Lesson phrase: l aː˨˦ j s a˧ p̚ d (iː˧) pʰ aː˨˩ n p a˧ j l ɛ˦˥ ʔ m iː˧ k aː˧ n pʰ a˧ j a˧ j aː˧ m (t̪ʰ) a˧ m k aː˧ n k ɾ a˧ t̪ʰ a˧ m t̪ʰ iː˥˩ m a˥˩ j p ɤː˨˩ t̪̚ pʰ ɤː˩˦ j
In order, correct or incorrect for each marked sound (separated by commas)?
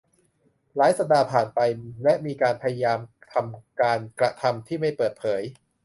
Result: incorrect, correct